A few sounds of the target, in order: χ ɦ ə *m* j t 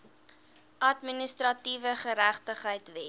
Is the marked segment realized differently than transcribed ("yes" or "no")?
yes